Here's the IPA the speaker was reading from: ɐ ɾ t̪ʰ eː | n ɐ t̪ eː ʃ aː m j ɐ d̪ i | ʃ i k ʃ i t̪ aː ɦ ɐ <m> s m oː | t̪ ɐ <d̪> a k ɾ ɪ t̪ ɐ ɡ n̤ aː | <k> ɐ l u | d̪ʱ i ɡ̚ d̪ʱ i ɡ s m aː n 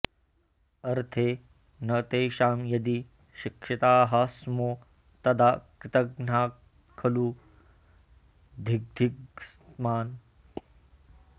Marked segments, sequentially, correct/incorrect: incorrect, correct, incorrect

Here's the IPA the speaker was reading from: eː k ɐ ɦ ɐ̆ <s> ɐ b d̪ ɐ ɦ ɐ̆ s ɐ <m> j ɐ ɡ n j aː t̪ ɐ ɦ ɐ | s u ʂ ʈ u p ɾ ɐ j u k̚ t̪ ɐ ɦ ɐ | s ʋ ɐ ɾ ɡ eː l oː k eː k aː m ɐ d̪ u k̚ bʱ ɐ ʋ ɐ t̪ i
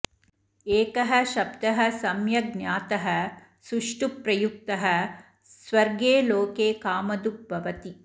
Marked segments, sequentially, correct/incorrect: incorrect, correct

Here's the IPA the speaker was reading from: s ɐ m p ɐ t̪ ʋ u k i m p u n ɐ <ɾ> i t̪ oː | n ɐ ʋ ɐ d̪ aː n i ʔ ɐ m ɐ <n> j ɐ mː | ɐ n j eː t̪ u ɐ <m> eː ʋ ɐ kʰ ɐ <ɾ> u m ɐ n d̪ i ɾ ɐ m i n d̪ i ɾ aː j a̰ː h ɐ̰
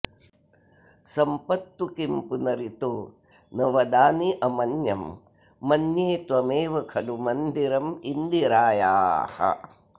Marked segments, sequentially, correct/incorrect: correct, correct, correct, incorrect

